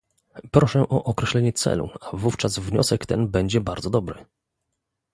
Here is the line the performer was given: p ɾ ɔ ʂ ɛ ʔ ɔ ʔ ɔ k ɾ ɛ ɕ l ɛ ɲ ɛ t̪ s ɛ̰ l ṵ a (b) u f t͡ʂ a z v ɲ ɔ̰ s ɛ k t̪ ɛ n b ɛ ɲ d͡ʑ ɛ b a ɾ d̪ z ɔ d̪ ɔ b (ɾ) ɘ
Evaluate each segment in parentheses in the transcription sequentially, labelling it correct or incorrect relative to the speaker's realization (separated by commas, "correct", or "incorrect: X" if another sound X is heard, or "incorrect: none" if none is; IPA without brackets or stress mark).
incorrect: v, correct